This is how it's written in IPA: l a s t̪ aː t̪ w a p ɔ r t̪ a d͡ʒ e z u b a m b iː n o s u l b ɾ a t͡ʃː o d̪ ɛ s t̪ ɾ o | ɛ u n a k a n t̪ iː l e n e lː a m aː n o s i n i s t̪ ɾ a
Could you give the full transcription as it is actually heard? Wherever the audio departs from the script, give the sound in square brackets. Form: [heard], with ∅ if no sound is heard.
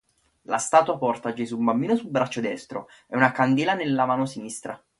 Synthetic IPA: l a s t̪ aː t̪ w a p ɔ r t̪ a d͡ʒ e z u b a m b iː n o s u l b ɾ a t͡ʃː o d̪ ɛ s t̪ ɾ o | ɛ u n a k a n [d̪] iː l [a] n e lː a m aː n o s i n i s t̪ ɾ a